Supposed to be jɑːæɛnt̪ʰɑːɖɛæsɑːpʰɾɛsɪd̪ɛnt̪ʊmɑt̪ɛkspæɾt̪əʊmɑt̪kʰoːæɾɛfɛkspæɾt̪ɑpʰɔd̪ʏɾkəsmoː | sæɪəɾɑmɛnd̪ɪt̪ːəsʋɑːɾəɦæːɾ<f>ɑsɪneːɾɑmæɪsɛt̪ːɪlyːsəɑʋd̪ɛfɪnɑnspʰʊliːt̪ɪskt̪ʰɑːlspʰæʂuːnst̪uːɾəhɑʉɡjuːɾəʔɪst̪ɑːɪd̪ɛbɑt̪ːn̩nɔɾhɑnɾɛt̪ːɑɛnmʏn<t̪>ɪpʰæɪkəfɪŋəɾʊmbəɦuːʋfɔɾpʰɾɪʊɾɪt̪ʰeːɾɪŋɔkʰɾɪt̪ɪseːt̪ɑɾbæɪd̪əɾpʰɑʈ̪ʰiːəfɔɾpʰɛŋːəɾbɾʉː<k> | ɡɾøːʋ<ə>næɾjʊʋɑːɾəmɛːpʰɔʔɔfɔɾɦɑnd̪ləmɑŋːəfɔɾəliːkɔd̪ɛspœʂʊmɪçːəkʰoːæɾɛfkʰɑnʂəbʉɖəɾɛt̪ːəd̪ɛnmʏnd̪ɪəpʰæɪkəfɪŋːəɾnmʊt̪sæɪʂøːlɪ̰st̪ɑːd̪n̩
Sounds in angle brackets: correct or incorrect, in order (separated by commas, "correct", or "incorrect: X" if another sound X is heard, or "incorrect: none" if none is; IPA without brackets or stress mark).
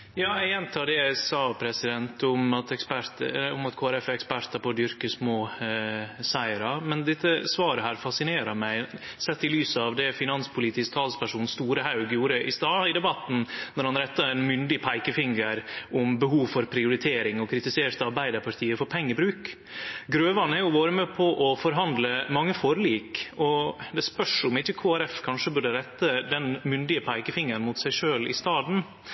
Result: correct, incorrect: d̪, correct, incorrect: ɑ